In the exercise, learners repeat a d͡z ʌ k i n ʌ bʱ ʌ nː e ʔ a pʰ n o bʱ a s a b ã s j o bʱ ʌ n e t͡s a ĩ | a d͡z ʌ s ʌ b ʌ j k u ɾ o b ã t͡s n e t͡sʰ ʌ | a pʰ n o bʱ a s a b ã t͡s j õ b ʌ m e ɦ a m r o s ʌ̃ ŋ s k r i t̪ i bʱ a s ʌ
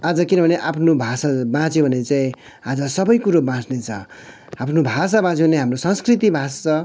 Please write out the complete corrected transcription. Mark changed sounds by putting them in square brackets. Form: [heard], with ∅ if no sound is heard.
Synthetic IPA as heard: a d͡z ʌ k i n ʌ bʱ ʌ [n] e ʔ a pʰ n o bʱ a s a b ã [t͡s] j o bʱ ʌ n e t͡s a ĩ | a d͡z ʌ s ʌ b ʌ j k u ɾ o b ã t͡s n e t͡sʰ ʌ | a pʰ n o bʱ a s a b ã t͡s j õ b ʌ [n] e ɦ a m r o s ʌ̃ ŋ s k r i t̪ i bʱ a s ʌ